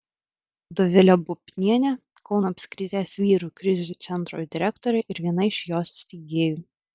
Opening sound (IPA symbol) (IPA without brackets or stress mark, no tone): d̪